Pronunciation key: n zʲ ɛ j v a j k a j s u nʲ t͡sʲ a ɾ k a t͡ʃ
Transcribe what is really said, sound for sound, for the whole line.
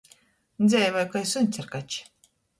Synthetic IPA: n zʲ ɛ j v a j k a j s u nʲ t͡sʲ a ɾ k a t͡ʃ